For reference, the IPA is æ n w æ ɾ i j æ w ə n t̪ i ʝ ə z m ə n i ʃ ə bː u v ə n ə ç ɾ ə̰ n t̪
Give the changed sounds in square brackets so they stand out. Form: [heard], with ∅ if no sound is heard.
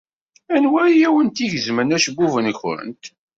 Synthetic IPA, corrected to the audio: æ n w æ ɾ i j æ w ə n t̪ i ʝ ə z m ə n [æ] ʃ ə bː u v ə n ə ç ɾ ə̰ n t̪